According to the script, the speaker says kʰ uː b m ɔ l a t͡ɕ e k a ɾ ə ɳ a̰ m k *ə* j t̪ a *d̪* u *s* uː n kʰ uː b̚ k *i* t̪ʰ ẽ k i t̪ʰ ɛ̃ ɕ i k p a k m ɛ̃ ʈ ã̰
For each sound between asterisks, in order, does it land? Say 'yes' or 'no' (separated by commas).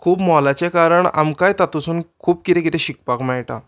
no, no, yes, yes